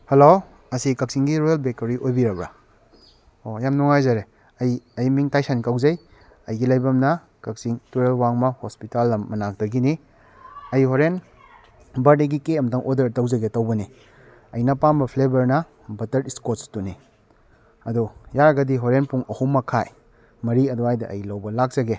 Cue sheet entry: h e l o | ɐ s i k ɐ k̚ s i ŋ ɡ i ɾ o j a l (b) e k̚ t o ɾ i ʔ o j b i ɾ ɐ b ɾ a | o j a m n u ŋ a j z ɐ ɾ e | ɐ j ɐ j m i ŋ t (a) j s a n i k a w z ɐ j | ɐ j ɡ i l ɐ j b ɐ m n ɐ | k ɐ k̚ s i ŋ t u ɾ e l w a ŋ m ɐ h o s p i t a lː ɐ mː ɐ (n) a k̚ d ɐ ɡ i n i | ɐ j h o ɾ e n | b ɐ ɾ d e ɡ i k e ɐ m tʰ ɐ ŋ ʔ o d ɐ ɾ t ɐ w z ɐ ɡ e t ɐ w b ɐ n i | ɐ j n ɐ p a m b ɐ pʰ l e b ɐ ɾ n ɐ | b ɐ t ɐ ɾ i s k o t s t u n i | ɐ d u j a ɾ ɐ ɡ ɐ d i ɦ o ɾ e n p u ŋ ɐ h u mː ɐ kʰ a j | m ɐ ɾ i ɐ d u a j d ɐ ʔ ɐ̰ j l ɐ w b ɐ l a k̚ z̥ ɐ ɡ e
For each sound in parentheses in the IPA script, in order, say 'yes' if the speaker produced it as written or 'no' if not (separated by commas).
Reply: yes, yes, yes